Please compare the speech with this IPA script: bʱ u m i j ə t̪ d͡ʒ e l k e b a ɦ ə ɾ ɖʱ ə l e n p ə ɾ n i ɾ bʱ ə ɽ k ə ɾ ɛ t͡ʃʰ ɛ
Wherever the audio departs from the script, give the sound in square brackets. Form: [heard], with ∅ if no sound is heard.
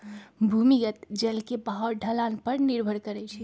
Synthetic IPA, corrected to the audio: bʱ u m i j ə t̪ d͡ʒ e l k e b a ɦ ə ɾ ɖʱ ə l [a] n p ə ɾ n i ɾ bʱ ə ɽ k ə ɾ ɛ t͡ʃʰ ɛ